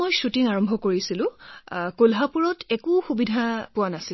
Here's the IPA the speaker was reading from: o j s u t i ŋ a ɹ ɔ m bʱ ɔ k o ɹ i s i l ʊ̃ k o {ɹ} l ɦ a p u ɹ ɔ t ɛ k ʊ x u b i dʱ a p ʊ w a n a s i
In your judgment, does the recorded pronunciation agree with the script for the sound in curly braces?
no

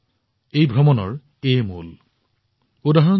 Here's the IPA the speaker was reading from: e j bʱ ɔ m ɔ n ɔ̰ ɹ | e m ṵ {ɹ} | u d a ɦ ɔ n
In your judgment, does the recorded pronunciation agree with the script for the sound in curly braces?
no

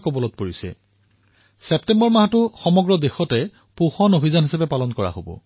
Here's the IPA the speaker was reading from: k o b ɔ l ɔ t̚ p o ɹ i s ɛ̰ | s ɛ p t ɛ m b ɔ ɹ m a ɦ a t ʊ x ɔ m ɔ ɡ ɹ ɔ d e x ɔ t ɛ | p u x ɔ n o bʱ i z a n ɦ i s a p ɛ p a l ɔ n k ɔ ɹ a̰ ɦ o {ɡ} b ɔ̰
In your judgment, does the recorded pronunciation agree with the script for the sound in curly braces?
no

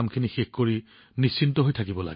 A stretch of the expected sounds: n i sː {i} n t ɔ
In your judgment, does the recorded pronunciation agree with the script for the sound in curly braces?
yes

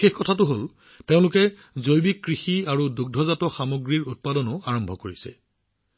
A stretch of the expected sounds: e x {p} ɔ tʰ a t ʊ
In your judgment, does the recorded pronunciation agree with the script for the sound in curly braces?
no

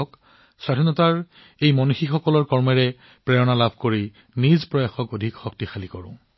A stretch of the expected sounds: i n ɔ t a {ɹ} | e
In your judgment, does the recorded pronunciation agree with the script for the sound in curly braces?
yes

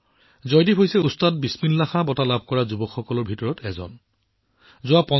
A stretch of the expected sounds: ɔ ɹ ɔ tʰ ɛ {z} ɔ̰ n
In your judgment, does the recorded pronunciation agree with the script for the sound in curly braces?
yes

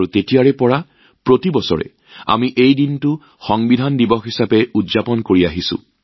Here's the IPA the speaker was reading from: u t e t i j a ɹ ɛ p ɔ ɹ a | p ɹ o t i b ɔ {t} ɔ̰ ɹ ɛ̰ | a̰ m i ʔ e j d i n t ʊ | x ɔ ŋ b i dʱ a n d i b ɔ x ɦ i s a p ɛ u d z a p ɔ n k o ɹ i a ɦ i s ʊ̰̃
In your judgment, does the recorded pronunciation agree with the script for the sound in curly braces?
no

